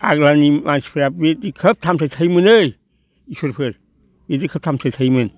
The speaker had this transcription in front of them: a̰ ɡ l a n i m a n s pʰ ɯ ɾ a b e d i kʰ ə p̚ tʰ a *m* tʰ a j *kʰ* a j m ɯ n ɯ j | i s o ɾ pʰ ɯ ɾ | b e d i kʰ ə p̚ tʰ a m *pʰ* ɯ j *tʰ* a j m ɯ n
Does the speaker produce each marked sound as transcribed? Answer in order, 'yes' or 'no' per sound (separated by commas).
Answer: yes, no, no, yes